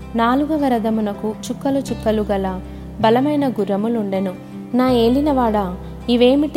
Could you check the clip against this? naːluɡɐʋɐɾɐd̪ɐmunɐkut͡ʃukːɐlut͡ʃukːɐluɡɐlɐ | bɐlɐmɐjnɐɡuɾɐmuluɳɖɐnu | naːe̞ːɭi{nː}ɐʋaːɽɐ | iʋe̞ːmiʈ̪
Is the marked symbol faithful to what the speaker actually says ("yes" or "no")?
no